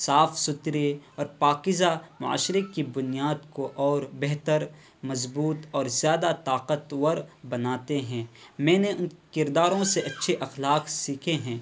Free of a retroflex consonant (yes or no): yes